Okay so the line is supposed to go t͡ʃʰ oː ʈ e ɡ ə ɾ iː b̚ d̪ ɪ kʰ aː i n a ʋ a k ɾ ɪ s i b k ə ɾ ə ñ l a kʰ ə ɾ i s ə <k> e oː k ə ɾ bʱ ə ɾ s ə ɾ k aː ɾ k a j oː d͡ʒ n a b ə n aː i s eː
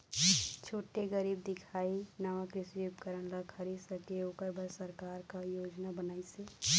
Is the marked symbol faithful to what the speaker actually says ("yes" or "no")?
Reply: yes